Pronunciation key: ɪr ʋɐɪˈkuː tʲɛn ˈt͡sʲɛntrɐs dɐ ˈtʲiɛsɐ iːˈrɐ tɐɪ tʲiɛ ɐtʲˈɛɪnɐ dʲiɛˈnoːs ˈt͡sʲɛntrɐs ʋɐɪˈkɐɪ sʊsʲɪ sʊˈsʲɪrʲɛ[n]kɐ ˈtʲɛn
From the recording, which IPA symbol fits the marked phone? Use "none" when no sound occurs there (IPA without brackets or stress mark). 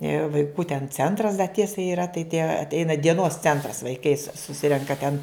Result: ŋ